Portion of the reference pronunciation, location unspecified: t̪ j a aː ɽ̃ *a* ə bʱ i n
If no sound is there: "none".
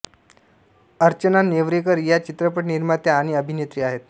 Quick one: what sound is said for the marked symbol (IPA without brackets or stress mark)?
i